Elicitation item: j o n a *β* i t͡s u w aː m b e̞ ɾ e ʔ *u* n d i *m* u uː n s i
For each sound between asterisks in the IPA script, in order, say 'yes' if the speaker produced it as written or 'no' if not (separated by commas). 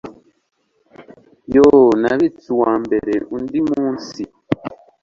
yes, yes, yes